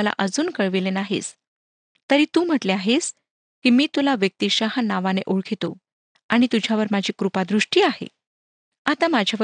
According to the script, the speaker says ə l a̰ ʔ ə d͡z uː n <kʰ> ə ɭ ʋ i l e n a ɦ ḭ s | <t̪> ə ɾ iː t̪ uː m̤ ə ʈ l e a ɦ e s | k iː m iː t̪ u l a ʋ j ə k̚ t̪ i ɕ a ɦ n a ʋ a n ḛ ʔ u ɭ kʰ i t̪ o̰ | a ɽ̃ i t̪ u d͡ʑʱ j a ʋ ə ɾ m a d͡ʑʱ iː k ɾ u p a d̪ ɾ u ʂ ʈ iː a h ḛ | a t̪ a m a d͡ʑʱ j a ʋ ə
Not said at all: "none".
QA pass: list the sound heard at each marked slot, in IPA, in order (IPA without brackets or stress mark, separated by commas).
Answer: k, t̪